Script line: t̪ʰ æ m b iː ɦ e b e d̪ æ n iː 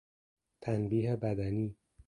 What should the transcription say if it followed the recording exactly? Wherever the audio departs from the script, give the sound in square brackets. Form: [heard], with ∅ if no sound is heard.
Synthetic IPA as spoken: t̪ʰ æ [n] b iː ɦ e b [æ] d̪ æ n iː